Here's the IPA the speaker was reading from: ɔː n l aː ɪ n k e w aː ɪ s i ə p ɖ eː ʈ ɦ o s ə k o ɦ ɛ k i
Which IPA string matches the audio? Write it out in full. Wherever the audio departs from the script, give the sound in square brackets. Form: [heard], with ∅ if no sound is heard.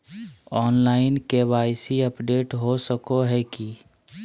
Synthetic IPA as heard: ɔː n l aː ɪ n k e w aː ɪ s i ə p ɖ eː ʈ ɦ o s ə k o ɦ ɛ k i